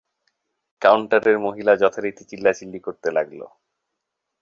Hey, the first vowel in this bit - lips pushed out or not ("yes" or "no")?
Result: no